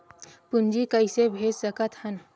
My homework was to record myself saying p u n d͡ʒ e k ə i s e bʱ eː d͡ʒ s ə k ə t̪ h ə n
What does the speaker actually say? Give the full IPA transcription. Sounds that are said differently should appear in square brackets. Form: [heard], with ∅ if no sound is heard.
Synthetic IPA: p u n d͡ʒ [i] k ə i s e bʱ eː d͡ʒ s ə k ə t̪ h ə n